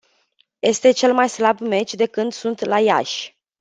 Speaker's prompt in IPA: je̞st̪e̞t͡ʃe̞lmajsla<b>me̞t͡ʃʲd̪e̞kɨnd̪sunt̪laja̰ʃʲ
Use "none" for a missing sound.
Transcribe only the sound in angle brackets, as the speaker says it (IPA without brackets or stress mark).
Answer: b